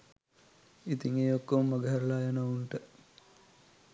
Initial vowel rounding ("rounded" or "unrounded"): unrounded